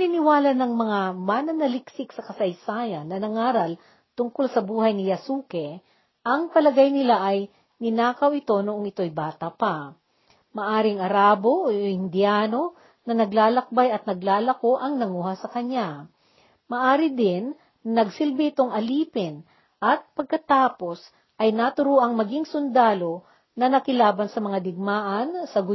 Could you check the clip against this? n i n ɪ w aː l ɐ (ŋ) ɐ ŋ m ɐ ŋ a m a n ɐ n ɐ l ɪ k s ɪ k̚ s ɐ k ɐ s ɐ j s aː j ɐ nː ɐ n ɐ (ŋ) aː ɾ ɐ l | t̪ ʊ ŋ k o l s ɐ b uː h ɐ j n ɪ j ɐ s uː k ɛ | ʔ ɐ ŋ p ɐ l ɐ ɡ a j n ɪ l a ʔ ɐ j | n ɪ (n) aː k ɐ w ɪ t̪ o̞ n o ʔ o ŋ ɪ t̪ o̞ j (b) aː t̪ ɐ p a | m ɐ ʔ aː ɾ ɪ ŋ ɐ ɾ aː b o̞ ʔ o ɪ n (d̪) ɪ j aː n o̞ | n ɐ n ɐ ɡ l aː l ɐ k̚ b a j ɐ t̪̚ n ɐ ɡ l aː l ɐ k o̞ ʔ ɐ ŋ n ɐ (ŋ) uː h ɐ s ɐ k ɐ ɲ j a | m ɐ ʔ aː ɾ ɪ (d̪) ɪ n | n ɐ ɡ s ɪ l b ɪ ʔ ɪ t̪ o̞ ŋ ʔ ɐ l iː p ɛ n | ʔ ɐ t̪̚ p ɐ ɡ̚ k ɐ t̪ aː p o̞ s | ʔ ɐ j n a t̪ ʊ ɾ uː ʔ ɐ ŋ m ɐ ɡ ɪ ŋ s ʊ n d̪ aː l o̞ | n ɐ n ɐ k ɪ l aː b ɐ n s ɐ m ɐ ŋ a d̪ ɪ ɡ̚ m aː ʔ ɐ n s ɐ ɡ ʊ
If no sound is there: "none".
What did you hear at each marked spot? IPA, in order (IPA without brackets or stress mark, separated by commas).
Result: n, ŋ, n, b, d̪, ŋ, d̪